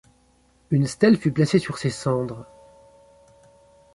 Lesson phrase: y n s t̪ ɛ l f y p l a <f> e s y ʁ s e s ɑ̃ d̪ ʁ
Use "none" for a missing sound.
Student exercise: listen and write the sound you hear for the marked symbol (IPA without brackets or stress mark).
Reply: s